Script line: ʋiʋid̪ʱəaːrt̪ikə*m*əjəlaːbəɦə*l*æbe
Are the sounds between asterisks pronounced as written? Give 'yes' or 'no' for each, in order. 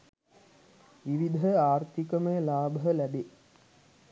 yes, yes

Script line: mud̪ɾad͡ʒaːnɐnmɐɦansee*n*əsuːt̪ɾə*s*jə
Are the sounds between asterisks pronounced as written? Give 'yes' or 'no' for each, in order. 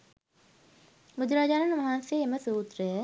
no, no

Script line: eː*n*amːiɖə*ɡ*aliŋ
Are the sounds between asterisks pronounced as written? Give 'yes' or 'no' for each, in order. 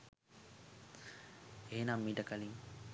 yes, no

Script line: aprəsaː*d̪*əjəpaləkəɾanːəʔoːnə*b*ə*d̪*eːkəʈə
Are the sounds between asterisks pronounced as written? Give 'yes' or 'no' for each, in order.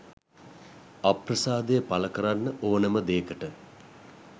yes, no, yes

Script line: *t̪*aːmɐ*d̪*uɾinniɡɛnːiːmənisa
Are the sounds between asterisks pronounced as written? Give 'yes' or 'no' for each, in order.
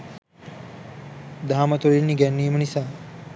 no, no

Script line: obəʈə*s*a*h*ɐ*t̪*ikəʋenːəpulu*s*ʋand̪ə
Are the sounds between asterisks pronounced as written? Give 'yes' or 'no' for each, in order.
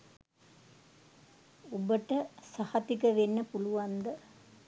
yes, yes, yes, no

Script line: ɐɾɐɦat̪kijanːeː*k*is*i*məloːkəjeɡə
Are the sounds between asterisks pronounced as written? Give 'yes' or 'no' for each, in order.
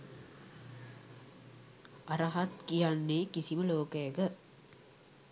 yes, yes

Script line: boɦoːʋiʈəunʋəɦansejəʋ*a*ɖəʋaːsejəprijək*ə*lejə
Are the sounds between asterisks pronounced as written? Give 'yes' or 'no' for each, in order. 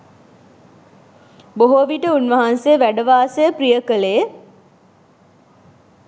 no, yes

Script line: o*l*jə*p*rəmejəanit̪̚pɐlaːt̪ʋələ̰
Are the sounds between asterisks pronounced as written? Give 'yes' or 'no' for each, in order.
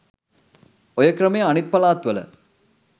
no, no

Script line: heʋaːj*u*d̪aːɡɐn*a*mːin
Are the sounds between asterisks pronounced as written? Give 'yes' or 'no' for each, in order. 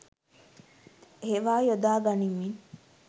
no, no

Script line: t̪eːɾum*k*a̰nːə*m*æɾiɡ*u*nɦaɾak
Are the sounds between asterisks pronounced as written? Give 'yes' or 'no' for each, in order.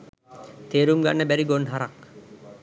no, no, no

